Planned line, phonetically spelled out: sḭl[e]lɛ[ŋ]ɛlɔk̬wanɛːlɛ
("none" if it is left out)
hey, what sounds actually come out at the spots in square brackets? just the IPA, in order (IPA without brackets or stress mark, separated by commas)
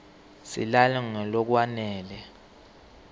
a, ŋ